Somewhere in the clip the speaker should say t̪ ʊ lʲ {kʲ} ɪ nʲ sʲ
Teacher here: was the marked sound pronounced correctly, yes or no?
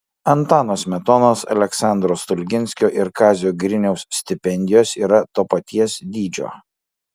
no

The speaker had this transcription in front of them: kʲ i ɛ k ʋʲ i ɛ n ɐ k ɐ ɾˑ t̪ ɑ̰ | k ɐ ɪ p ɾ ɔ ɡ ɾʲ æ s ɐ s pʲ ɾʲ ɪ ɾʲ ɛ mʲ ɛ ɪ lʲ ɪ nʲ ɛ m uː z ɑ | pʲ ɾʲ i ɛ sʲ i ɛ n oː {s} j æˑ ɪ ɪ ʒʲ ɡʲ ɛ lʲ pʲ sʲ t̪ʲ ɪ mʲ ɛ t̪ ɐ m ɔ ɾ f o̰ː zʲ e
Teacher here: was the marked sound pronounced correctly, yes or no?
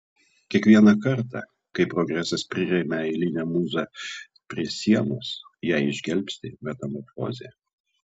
yes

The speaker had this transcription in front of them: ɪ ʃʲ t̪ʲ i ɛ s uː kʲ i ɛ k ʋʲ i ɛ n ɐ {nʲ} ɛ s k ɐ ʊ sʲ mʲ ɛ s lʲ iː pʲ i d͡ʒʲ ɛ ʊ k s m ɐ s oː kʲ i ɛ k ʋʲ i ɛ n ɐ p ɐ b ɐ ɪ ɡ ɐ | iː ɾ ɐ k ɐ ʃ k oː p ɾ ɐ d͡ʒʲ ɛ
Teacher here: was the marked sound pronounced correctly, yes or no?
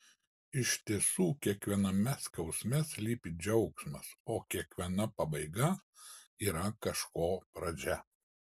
no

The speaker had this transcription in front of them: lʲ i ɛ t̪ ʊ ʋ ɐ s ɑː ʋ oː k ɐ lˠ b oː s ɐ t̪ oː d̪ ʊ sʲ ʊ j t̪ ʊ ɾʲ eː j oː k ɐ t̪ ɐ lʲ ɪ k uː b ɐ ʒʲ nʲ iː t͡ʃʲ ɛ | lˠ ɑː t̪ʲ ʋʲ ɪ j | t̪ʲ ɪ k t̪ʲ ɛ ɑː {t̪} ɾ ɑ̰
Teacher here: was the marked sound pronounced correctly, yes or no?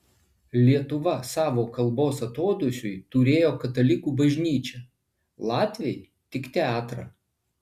yes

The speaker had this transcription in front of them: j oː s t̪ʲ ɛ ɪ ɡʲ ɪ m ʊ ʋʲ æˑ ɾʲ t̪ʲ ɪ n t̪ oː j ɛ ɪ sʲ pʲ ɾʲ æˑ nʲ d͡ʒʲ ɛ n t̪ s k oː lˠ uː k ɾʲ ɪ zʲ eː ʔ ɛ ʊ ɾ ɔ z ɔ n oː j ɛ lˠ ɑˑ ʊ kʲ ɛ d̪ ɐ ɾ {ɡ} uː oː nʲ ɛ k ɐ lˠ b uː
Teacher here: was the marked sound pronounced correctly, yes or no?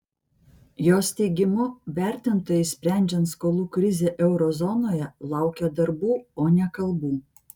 no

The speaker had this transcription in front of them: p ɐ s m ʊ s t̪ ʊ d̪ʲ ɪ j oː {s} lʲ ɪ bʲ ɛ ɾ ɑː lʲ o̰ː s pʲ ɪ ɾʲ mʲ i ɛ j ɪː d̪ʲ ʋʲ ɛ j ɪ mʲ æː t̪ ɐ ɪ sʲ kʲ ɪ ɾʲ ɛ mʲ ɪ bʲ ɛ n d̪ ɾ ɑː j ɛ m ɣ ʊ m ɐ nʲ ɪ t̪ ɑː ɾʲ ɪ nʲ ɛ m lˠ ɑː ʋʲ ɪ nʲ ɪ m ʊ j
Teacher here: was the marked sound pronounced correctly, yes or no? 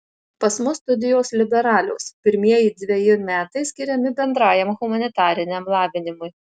yes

